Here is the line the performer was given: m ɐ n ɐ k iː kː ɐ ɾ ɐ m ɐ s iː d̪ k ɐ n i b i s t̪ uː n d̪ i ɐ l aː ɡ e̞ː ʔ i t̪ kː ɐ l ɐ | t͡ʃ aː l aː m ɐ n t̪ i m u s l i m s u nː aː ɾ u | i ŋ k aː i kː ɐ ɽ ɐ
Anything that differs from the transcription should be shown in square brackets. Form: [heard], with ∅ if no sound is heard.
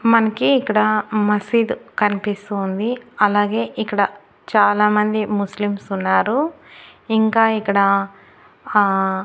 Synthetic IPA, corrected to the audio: m ɐ n ɐ k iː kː ɐ [ɽ] ɐ m ɐ s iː d̪ k ɐ n i [p] i s t̪ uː n d̪ i ɐ l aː ɡ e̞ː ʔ i [∅] kː ɐ [ɽ] ɐ | t͡ʃ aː l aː m ɐ n [d̪] i m u s l i m s u nː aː ɾ u | i ŋ k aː i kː ɐ ɽ ɐ